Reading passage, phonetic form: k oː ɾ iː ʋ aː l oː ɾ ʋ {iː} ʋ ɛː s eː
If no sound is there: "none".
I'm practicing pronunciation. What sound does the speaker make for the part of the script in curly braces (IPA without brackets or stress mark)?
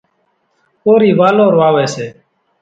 aː